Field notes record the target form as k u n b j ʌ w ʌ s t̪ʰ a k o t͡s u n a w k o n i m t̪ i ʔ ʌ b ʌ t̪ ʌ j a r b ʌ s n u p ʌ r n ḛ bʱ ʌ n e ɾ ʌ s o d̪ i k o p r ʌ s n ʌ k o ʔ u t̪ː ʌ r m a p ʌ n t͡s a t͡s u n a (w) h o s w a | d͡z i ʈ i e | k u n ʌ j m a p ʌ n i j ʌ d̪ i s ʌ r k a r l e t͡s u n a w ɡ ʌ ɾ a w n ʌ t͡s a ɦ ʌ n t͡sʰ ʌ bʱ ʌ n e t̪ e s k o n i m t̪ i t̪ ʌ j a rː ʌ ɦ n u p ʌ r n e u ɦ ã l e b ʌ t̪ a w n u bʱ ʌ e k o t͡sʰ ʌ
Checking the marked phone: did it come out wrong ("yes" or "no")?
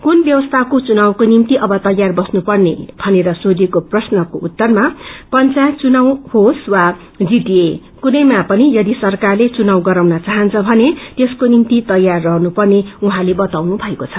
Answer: no